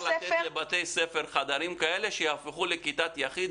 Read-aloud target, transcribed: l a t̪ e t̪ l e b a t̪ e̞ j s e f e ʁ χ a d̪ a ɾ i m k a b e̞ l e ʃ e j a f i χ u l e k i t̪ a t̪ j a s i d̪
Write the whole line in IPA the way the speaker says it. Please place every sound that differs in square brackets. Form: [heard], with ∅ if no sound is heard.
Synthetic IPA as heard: l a t̪ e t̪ l e b a t̪ e̞ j s e f e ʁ χ a d̪ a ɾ i m k a [∅] e̞ l e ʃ e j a f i χ u l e k i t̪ a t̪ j a [χ] i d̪